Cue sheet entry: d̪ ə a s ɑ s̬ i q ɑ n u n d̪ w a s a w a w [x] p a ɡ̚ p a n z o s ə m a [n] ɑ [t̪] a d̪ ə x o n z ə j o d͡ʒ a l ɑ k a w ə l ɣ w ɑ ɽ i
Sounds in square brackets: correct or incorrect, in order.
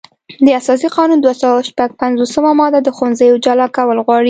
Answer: incorrect, incorrect, incorrect

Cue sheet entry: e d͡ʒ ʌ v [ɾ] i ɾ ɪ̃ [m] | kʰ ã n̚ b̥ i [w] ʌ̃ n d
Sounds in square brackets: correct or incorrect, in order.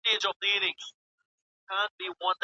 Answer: incorrect, incorrect, correct

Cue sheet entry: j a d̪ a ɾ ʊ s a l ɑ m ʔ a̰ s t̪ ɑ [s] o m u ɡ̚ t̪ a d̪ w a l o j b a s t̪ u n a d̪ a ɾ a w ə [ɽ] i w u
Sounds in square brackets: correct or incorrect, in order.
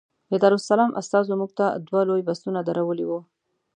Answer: incorrect, incorrect

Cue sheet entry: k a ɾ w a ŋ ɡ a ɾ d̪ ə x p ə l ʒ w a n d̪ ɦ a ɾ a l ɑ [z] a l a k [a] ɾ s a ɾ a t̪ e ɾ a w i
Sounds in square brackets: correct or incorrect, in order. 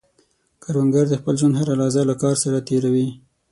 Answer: correct, incorrect

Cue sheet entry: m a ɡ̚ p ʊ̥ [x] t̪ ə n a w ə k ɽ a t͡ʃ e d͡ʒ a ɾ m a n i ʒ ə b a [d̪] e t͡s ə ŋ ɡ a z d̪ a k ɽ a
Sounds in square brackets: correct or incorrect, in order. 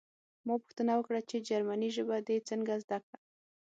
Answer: correct, correct

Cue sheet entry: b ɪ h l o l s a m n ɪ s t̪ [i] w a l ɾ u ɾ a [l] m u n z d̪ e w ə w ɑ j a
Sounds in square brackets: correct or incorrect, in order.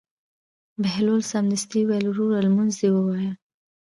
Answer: correct, correct

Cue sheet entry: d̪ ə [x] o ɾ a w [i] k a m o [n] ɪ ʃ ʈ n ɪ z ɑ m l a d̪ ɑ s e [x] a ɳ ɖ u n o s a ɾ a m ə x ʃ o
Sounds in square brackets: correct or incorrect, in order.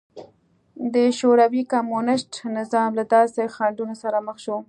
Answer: incorrect, correct, correct, correct

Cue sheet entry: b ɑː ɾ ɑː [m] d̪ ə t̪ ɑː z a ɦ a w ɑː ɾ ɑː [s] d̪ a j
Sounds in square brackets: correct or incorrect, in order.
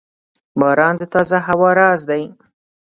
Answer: incorrect, incorrect

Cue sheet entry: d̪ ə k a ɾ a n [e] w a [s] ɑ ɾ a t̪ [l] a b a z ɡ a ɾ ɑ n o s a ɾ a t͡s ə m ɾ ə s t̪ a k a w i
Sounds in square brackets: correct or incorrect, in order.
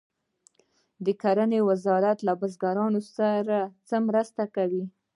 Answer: correct, incorrect, correct

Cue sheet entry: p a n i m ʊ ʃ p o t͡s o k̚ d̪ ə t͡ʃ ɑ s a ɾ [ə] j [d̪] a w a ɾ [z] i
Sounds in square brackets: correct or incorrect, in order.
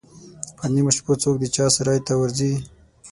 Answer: incorrect, incorrect, correct

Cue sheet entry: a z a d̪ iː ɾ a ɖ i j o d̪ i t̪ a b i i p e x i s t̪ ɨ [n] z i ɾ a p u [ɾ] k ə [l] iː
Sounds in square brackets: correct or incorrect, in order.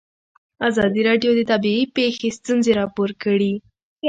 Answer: correct, correct, incorrect

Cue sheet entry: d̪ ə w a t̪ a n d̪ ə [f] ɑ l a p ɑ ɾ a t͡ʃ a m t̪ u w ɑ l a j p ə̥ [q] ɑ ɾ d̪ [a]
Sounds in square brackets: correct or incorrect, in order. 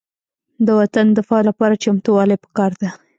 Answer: correct, incorrect, correct

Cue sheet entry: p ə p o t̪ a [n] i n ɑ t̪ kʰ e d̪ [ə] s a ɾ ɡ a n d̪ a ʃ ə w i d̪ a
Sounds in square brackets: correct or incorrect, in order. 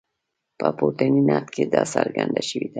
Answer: correct, incorrect

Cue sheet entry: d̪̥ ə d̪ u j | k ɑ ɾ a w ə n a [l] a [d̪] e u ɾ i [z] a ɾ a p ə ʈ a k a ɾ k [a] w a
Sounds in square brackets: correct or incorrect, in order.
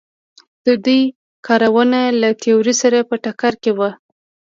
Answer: correct, incorrect, incorrect, incorrect

